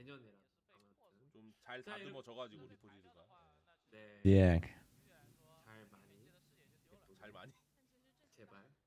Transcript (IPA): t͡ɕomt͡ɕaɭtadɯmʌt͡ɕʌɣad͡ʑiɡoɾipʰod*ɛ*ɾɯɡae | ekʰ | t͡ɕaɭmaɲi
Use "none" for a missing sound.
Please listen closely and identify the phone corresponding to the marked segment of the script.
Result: i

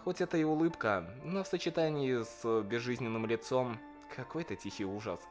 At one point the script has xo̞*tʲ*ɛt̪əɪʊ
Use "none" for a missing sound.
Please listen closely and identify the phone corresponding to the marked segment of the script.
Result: tʲ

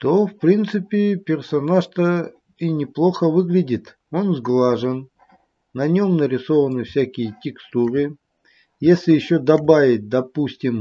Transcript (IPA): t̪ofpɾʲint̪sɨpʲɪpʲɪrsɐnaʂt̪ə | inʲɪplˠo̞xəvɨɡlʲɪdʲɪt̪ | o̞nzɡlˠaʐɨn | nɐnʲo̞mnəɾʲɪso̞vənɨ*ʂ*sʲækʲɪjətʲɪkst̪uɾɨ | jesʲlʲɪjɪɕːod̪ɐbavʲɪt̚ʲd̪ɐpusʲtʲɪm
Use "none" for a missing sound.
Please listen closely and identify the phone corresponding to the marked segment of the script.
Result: f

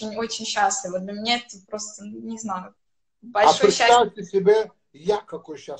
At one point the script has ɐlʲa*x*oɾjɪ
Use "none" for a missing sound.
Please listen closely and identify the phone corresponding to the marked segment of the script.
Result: ʂ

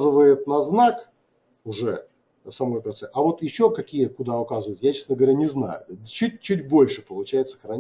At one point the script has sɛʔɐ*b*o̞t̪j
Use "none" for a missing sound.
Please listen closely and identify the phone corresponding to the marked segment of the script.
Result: v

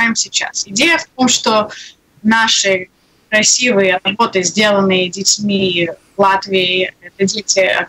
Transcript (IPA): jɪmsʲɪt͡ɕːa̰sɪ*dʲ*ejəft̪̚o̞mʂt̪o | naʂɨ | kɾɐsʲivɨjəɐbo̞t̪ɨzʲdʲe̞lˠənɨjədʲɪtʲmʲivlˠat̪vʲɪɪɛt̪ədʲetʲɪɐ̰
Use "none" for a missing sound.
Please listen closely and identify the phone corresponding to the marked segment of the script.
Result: dʲ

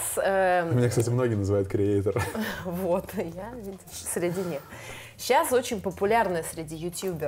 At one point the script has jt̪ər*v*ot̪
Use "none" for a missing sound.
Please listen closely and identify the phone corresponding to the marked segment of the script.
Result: v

